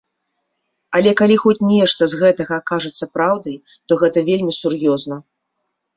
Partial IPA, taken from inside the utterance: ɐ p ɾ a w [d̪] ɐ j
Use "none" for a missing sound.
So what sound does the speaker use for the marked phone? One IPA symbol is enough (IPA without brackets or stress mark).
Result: d̪